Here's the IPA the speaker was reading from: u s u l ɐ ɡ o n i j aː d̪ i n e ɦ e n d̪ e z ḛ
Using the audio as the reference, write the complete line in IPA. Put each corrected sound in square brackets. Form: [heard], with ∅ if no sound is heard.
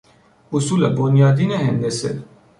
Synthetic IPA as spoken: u s u l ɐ [b] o n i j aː d̪ i n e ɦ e n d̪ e [s] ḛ